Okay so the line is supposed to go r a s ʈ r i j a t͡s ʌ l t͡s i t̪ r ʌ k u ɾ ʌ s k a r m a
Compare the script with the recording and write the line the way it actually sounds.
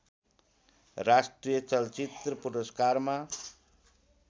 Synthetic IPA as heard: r a s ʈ r i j ʌ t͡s ʌ l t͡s i t̪ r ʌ p u ɾ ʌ s k a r m a

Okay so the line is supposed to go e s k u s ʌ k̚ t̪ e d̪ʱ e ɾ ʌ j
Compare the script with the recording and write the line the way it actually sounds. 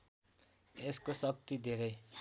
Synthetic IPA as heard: e s k o s ʌ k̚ t̪ i d̪ʱ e ɾ ʌ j

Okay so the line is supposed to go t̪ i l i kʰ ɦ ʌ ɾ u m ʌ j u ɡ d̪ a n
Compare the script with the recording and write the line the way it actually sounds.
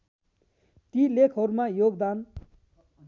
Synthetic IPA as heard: t̪ i l e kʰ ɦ ʌ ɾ u m a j o ɡ d̪ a n

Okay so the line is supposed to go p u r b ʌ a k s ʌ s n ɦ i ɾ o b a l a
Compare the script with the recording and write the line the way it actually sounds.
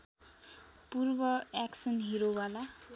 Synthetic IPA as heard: p u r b ʌ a k s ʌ n ɦ i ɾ o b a l a

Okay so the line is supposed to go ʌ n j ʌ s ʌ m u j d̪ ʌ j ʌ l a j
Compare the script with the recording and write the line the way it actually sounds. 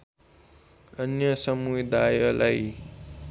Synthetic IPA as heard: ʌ n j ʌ s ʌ m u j d̪ a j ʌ l a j

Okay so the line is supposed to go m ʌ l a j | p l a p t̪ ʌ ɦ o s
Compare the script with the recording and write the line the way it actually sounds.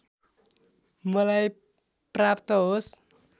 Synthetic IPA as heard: m ʌ l a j | p r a p t̪ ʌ ɦ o s

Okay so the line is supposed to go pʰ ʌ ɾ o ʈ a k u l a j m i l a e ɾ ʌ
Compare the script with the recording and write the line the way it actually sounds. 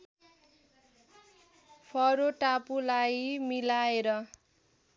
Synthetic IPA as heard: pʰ ʌ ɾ o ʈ a p u l a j m i l a e ɾ ʌ

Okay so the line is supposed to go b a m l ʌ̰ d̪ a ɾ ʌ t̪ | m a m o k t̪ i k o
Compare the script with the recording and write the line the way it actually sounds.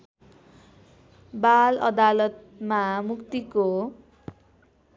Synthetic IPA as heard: b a l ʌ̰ d̪ a l ʌ t̪ | m a m u k t̪ i k o

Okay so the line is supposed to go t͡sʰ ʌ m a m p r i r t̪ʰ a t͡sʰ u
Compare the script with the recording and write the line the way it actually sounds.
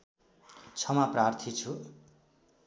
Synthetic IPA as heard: t͡sʰ ʌ m a p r a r t̪ʰ i t͡sʰ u

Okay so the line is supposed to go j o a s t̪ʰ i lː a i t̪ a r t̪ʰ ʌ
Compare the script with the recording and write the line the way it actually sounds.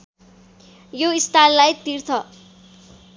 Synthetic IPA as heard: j o i s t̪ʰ a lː a j t̪ i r t̪ʰ ʌ

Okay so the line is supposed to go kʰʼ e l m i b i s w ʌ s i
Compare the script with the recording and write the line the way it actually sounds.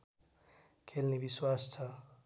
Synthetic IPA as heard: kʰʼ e l n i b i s w a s a

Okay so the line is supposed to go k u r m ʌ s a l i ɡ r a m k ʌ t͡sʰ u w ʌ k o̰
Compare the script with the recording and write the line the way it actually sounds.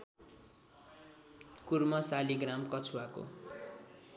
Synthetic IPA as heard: k u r m ʌ s a l i ɡ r a m k ʌ t͡sʰ u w a k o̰

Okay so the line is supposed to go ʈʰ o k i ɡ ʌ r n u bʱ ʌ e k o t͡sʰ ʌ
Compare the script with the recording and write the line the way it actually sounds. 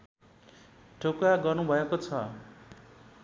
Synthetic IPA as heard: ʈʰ o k a ɡ ʌ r n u bʱ ʌ e k o t͡sʰ ʌ

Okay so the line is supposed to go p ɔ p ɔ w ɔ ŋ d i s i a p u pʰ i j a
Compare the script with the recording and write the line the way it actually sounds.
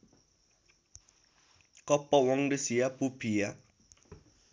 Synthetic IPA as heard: k ɔ p ɔ w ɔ ŋ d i s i a p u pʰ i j a

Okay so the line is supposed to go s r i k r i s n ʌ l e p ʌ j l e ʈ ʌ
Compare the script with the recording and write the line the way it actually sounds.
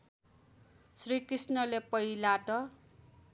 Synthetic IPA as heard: s r i k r i s n ʌ l e p ʌ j l a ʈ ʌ

